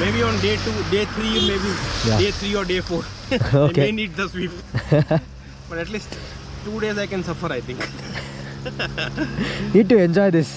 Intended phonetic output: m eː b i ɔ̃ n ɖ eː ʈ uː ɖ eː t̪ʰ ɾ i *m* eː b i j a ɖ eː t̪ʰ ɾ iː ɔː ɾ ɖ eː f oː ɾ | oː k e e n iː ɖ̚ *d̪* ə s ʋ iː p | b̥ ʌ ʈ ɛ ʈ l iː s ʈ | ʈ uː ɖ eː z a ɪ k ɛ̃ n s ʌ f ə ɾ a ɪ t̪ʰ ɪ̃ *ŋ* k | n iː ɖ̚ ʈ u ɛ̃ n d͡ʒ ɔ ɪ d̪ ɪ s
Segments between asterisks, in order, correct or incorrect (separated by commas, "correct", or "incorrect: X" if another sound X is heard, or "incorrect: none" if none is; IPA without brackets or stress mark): correct, correct, correct